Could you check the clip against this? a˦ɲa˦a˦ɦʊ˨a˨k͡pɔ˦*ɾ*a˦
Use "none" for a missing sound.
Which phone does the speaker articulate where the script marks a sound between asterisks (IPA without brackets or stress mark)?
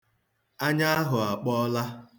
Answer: l